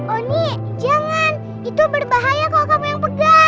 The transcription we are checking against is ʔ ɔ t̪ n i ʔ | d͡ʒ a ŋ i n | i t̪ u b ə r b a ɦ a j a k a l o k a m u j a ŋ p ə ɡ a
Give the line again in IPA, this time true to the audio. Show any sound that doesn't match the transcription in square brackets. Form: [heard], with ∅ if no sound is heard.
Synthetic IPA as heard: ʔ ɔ [∅] n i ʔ | d͡ʒ a ŋ [a] n | i t̪ u b ə r b a ɦ a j a k a l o k a m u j a ŋ p ə ɡ a